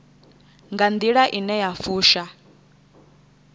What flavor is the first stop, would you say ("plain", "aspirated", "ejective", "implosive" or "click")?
plain